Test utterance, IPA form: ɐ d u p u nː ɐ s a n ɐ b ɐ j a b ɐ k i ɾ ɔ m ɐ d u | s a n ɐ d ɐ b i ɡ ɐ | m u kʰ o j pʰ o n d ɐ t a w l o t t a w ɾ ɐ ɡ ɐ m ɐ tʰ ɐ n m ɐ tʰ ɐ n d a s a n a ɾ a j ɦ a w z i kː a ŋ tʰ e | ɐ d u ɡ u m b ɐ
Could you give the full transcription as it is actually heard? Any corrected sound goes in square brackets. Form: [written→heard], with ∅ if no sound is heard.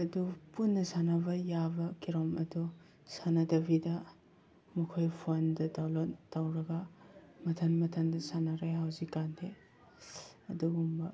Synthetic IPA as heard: ɐ d u p u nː ɐ s a n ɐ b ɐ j a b ɐ k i ɾ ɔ m ɐ d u | s a n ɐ d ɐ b i [ɡ→d] ɐ | m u kʰ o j pʰ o n d ɐ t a w l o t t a w ɾ ɐ ɡ ɐ m ɐ tʰ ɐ n m ɐ tʰ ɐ n d [a→ɐ] s a n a ɾ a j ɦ a w z i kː a [ŋ→n] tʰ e | ɐ d u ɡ u m b ɐ

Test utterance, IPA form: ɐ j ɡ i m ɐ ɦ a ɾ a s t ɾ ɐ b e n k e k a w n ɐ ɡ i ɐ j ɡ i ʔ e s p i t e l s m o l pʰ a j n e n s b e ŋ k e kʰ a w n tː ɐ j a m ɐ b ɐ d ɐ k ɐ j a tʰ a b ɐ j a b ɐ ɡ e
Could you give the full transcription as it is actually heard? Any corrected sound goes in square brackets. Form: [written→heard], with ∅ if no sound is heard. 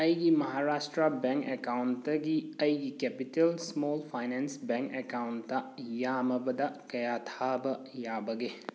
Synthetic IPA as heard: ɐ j ɡ i m ɐ ɦ a ɾ a s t ɾ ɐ b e [n→ŋ] k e k a w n ɐ ɡ i ɐ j ɡ i [ʔ→k] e [s→∅] p i t e l s m o l pʰ a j n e n s b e ŋ k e [kʰ→k] a w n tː ɐ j a m ɐ b ɐ d ɐ k ɐ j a tʰ a b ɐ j a b ɐ ɡ e

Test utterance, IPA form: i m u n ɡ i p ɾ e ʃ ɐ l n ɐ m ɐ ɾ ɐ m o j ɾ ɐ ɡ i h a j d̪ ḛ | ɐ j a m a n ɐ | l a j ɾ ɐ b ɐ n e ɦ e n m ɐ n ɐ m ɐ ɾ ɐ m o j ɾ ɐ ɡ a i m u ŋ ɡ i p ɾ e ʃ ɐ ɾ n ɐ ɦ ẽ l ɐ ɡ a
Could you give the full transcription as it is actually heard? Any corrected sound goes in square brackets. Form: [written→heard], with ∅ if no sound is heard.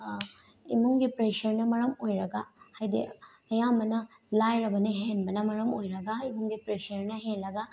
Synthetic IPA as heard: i m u [n→ŋ] ɡ i p ɾ e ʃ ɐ [l→ɾ] n ɐ m ɐ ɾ ɐ m o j ɾ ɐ ɡ [i→a] h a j d̪ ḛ | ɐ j a m [a→ɐ] n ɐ | l a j ɾ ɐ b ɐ n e ɦ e n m ɐ n ɐ m ɐ ɾ ɐ m o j ɾ ɐ ɡ a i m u ŋ ɡ i p ɾ e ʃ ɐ ɾ n ɐ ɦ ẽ l ɐ ɡ a

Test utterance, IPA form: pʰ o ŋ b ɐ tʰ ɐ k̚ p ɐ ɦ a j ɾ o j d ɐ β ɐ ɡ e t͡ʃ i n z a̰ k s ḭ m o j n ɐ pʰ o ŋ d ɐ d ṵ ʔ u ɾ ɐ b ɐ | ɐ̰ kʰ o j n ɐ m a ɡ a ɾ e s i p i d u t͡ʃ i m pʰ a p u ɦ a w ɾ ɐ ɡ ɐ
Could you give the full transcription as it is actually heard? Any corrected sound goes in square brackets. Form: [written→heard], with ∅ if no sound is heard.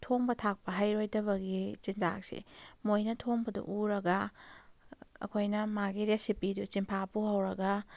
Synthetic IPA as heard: [pʰ→tʰ] o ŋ b ɐ tʰ [ɐ→a] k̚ p ɐ ɦ a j ɾ o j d ɐ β ɐ ɡ [e→i] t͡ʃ i n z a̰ k s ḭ m o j n ɐ [pʰ→tʰ] o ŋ [d→b] ɐ d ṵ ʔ u ɾ ɐ [b→ɡ] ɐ | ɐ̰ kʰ o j n ɐ m a ɡ [a→i] ɾ e s i p i d u t͡ʃ i m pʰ a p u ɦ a w ɾ ɐ ɡ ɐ

